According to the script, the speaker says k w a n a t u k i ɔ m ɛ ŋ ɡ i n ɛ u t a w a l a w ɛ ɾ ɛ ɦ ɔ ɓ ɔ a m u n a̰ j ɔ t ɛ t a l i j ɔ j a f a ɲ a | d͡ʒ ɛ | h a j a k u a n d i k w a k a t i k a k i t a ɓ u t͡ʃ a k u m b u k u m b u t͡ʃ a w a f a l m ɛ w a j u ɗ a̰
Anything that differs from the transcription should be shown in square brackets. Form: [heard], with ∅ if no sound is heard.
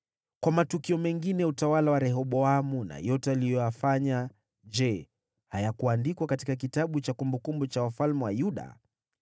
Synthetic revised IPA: k w a [m] a t u k i ɔ m ɛ ŋ ɡ i n ɛ u t a w a l a w [a] ɾ ɛ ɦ ɔ ɓ ɔ a m u n a̰ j ɔ t ɛ [∅] a l i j ɔ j a f a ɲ a | d͡ʒ ɛ | h a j a k u a n d i k w a k a t i k a k i t a ɓ u t͡ʃ a k u m b u k u m b u t͡ʃ a w a f a l m ɛ w a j u ɗ a̰